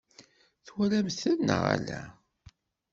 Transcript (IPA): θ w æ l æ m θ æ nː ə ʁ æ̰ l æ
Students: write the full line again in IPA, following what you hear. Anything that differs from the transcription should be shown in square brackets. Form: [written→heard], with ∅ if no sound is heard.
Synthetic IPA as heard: θ w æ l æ m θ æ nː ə ʁ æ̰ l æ